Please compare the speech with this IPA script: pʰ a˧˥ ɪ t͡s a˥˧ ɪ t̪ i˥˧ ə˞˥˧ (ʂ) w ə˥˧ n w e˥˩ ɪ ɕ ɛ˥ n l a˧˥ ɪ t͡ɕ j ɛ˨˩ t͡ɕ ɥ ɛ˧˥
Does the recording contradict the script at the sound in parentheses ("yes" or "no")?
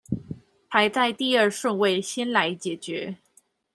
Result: no